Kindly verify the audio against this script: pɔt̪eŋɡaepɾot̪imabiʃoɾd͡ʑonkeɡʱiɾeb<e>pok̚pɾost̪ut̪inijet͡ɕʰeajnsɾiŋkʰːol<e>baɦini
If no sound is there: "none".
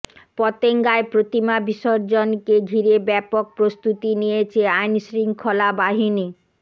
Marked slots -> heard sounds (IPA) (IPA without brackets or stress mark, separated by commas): ɛ, a